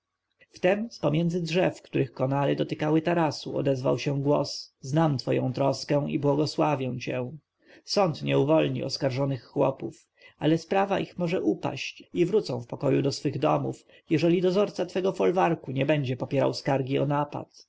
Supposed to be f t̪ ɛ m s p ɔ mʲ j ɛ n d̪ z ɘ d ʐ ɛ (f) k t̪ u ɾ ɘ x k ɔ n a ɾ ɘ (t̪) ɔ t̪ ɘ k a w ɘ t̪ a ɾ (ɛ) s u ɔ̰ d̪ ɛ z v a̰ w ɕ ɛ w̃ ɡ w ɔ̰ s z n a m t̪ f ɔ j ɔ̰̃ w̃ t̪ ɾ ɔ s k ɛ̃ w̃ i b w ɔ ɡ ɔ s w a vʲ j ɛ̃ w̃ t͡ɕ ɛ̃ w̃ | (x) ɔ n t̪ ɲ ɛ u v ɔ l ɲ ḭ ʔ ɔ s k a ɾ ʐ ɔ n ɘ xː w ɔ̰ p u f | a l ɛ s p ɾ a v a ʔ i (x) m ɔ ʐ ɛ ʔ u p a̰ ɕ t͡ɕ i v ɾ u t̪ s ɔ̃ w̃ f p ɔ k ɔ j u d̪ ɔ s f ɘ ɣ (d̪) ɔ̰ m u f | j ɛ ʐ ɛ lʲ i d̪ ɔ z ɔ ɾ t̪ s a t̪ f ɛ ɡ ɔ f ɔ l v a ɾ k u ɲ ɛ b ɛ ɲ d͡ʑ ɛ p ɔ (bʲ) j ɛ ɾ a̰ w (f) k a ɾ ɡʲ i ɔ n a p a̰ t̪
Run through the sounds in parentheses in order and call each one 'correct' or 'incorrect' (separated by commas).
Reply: correct, incorrect, incorrect, incorrect, correct, correct, incorrect, incorrect